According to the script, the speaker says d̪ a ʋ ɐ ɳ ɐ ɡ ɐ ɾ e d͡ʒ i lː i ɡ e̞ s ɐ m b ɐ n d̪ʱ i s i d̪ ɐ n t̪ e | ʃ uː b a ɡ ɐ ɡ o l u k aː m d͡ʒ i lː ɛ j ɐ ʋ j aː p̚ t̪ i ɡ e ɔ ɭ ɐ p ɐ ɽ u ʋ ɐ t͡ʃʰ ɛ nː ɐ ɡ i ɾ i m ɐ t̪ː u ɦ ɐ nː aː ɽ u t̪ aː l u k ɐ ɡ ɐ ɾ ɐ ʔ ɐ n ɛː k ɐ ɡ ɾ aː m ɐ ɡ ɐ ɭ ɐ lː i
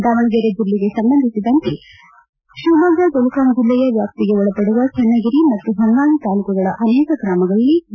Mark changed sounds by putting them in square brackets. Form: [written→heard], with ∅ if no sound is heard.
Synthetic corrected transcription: d̪ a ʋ ɐ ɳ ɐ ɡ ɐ ɾ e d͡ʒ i lː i ɡ e̞ s ɐ m b ɐ n d̪ʱ i s i d̪ ɐ n t̪ e | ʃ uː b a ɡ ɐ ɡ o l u k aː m d͡ʒ i lː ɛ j ɐ ʋ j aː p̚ t̪ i ɡ e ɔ ɭ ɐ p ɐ ɽ u ʋ ɐ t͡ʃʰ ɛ nː ɐ ɡ i ɾ i m ɐ t̪ː u ɦ ɐ nː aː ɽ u t̪ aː l u k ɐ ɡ ɐ [ɾ→ɭ] ɐ ʔ ɐ n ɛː k ɐ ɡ ɾ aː m ɐ ɡ ɐ ɭ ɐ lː i